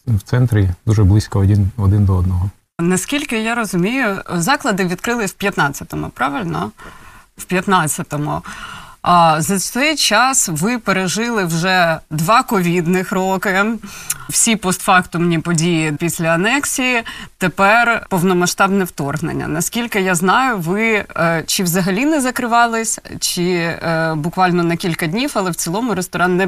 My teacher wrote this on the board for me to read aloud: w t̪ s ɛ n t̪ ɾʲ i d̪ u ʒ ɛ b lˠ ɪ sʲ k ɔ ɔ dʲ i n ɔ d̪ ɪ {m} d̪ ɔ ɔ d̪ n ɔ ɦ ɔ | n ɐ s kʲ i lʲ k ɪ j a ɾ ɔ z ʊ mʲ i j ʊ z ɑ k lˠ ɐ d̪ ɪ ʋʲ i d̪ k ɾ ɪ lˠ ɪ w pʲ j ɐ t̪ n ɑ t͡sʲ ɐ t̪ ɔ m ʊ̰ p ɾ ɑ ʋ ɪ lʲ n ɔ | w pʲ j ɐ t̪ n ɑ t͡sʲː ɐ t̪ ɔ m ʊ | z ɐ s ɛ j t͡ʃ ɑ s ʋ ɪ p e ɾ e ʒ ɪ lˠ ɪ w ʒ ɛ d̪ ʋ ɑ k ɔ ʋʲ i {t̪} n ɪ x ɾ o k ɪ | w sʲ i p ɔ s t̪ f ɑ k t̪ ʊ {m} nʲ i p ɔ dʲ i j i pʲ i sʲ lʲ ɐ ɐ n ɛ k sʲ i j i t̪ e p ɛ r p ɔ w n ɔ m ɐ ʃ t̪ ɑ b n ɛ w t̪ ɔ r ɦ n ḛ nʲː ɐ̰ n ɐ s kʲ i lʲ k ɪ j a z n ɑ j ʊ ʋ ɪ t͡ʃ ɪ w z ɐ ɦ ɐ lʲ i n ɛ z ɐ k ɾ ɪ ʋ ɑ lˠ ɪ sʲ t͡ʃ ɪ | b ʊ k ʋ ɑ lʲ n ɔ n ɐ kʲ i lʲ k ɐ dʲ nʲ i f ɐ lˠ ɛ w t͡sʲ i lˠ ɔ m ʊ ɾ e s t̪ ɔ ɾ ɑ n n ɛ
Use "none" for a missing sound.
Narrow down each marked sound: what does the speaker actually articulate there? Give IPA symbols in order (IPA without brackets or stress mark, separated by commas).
n, d̪, m